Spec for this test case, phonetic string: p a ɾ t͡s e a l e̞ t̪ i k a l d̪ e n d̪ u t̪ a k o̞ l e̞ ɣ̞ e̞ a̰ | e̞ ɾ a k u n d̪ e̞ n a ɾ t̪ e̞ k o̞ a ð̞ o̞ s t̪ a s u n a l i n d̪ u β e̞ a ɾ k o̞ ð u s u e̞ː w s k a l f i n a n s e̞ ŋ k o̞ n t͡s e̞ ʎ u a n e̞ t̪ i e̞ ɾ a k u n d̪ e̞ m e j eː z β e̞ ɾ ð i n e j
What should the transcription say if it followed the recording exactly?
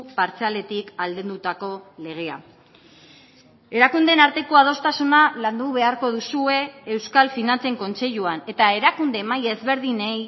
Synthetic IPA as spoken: p a ɾ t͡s e a l e̞ t̪ i k a l d̪ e n d̪ u t̪ a k o̞ l e̞ ɣ̞ e̞ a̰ | e̞ ɾ a k u n d̪ e̞ n a ɾ t̪ e̞ k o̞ a ð̞ o̞ s t̪ a s u n a l a n d̪ u β e̞ a ɾ k o̞ ð u s u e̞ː w s k a l f i n a n t͡s e̞ ŋ k o̞ n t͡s e̞ ʎ u a n e̞ t̪ a e̞ ɾ a k u n d̪ e̞ m a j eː z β e̞ ɾ ð i n e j